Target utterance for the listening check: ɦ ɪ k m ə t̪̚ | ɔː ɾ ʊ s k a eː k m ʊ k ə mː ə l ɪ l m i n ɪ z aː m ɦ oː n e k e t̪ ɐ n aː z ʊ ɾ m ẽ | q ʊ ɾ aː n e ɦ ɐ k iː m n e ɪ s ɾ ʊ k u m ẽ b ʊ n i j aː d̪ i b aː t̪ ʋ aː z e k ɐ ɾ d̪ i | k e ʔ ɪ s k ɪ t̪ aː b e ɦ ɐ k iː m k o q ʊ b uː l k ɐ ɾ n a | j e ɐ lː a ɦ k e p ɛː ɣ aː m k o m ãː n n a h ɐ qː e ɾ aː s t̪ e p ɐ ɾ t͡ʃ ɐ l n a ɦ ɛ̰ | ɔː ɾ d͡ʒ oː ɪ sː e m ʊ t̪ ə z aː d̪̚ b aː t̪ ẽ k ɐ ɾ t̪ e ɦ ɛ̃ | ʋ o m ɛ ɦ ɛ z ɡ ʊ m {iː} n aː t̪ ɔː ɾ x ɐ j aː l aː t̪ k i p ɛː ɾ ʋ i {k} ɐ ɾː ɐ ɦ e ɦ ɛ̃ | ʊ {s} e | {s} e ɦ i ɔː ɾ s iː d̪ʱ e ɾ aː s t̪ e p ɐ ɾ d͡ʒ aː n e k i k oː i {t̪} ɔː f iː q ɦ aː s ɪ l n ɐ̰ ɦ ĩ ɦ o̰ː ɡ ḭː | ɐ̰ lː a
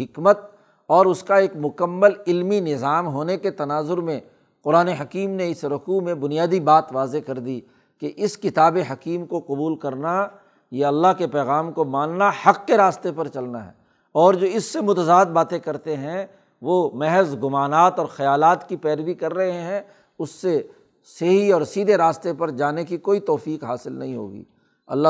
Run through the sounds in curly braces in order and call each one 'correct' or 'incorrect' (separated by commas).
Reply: incorrect, correct, incorrect, correct, correct